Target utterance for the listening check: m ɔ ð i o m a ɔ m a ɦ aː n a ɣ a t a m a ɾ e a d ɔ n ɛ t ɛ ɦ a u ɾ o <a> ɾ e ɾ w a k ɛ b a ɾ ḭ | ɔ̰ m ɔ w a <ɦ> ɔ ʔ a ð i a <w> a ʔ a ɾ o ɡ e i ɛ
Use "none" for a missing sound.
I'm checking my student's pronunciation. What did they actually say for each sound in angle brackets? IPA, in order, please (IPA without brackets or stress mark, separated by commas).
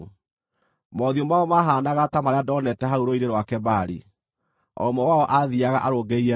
i, none, ɣ